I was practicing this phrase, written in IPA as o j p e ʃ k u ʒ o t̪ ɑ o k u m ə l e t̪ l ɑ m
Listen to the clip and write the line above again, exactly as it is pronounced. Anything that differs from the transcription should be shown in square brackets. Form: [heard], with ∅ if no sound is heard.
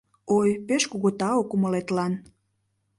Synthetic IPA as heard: o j p e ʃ k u [ɣ] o t̪ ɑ o k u m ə l e t̪ l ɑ [n]